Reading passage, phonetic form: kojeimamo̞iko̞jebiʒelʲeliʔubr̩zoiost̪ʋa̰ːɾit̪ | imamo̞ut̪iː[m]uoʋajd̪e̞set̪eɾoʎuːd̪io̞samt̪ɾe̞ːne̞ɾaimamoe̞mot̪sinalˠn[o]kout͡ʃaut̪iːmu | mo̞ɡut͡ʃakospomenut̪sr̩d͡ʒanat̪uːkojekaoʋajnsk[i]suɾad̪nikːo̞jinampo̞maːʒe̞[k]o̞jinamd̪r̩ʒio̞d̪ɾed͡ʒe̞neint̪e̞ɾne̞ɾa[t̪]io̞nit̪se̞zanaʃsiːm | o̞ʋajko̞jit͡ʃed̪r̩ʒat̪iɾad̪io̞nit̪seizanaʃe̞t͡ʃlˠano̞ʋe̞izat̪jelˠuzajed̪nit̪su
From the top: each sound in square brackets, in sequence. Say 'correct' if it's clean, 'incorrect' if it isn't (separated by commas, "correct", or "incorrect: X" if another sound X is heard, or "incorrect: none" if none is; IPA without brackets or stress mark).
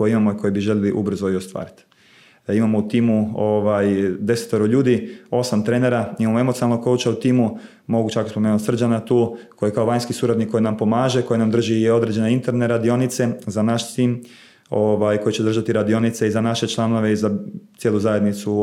correct, correct, correct, correct, incorrect: d̪